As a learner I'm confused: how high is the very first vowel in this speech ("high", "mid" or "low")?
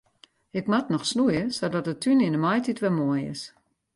high